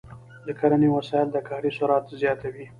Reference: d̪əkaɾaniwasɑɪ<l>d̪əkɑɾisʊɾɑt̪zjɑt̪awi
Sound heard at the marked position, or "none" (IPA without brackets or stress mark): l